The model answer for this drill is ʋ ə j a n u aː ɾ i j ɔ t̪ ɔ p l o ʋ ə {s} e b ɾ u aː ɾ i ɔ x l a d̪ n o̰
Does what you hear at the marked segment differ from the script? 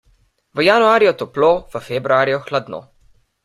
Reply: yes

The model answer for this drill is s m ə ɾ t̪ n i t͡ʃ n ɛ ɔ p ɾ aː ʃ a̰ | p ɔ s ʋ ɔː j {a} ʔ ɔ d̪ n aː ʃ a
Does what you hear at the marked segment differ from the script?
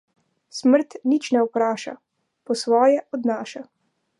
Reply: yes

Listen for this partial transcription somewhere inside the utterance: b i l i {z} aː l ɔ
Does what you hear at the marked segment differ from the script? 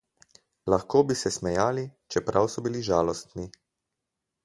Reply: yes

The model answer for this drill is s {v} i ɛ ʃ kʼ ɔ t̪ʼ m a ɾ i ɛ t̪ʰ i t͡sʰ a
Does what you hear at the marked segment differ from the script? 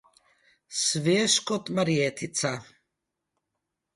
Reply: no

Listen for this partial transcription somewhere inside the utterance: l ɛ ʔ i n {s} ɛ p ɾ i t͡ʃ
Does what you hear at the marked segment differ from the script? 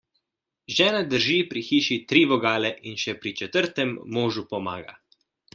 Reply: yes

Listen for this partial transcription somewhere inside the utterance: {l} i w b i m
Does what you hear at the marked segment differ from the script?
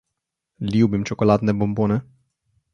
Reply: no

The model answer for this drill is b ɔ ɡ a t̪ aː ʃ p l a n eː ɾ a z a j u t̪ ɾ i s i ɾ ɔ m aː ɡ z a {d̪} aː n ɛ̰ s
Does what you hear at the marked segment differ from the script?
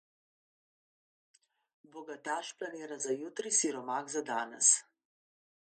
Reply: no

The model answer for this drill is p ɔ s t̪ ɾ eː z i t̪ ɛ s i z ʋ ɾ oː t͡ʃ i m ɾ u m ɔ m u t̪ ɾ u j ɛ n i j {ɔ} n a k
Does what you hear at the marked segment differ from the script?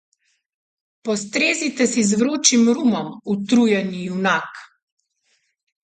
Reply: yes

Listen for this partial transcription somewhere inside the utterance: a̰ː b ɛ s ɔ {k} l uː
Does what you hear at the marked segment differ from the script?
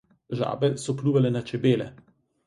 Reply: yes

